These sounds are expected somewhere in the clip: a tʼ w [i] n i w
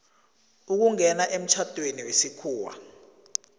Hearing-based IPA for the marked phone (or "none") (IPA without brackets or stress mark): e